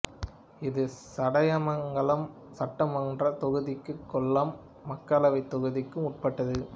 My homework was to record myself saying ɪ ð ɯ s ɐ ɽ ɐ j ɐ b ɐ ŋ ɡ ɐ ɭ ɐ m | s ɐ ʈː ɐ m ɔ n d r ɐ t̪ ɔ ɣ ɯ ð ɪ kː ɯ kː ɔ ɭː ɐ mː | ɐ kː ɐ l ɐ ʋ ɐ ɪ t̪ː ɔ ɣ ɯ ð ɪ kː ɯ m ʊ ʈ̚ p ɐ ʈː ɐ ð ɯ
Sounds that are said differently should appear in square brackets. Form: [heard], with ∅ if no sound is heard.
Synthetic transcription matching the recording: ɪ ð ɯ s ɐ ɽ ɐ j ɐ [m] ɐ ŋ ɡ ɐ ɭ ɐ m | s ɐ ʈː ɐ m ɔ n d r ɐ t̪ ɔ ɣ ɯ ð ɪ kː ɯ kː ɔ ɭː ɐ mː | ɐ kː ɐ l ɐ ʋ ɐ ɪ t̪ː ɔ ɣ ɯ ð ɪ kː ɯ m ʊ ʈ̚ p ɐ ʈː ɐ ð ɯ